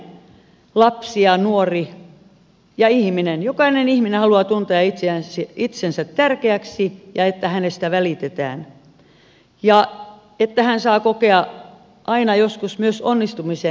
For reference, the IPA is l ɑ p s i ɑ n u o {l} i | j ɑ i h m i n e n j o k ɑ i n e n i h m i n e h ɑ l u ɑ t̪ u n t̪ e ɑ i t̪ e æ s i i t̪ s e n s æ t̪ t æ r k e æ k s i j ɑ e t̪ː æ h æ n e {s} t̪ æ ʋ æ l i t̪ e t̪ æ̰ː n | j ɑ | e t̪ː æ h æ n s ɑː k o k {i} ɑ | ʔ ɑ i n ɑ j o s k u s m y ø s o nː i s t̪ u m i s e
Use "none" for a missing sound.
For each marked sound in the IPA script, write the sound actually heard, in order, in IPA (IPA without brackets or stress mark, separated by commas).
r, s, e